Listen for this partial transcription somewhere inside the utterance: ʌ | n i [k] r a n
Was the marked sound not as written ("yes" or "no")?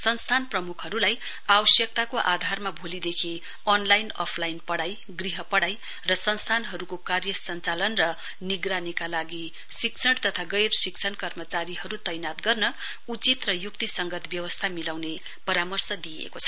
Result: yes